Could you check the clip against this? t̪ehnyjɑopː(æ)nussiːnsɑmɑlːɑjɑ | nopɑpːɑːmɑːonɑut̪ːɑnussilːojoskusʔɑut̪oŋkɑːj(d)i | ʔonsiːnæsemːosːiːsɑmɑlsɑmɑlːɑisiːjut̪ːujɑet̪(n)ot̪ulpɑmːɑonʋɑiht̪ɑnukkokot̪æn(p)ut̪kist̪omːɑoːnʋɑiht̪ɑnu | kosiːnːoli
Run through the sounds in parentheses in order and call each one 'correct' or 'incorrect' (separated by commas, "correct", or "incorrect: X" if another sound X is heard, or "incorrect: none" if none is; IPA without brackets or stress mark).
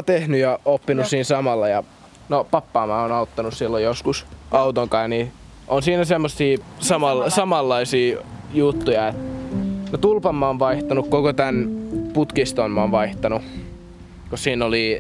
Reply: incorrect: i, incorrect: n, correct, correct